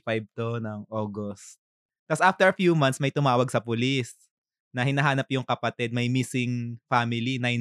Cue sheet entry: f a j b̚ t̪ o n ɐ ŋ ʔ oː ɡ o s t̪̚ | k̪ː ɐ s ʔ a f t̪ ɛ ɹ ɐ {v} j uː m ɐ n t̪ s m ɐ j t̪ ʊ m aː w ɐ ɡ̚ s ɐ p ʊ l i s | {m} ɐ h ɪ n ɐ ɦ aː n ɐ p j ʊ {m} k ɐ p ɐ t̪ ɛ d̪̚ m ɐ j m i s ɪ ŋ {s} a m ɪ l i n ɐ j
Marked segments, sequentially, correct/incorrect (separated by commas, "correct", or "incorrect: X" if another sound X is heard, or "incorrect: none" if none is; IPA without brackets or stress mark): incorrect: f, incorrect: n, incorrect: ŋ, incorrect: f